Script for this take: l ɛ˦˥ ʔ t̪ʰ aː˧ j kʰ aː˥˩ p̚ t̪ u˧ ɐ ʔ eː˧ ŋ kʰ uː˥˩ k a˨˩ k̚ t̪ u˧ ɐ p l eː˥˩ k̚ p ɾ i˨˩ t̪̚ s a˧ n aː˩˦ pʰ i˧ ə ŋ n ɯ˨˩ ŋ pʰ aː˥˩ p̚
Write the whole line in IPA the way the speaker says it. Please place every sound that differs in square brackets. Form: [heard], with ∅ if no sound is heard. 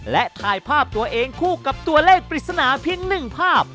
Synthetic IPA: l ɛ˦˥ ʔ t̪ʰ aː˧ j [pʰ] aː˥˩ p̚ t̪ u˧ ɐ ʔ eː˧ ŋ kʰ uː˥˩ k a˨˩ [p̚] t̪ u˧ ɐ [∅] l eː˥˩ k̚ p ɾ i˨˩ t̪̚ s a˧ n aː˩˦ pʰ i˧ ə ŋ n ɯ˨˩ ŋ pʰ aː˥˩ p̚